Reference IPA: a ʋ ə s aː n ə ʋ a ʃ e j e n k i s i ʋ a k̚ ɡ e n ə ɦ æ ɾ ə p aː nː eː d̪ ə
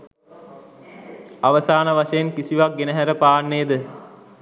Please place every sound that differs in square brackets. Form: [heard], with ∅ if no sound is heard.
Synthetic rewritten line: a ʋ ə s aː n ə ʋ a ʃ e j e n k i s i ʋ a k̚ ɡ e n ə ɦ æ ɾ ə p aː nː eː d̪ ə